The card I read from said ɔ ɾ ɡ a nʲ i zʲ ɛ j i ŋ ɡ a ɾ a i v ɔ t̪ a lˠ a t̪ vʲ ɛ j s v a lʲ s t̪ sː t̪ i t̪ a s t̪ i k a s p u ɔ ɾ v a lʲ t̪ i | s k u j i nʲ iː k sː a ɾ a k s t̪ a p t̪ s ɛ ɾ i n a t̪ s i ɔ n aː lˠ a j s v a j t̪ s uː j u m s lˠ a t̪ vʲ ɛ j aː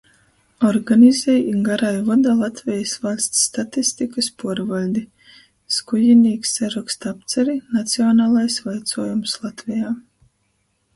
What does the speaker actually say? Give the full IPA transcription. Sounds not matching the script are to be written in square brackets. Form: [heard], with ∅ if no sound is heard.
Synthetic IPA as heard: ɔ ɾ ɡ a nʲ i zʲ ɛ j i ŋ ɡ a ɾ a [j] v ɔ [d̪] a lˠ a t̪ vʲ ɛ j s v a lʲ s t̪ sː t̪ [a] t̪ [i] s t̪ i k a s p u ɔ ɾ v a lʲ [d̪] i | s k u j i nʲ iː k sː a ɾ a k s t̪ a p t̪ s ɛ ɾ i n a t̪ s i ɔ n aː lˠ a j s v a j t̪ s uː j u m s lˠ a t̪ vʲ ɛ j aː